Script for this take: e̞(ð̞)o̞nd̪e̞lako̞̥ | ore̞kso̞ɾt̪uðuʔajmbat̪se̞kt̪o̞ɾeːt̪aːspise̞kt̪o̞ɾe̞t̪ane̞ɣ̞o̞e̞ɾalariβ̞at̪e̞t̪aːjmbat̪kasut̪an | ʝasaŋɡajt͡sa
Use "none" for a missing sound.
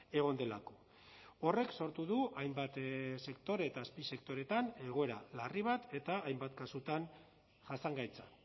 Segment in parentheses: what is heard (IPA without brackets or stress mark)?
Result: ɣ̞